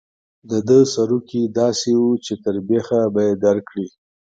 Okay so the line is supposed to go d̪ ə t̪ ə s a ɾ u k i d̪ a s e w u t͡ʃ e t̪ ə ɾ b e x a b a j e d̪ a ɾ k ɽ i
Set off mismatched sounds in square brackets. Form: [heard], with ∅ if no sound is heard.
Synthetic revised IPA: d̪ ə [d̪] ə s a ɾ u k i d̪ [ɑ] s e w u t͡ʃ e t̪ ə ɾ b e x a b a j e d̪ a ɾ k ɽ i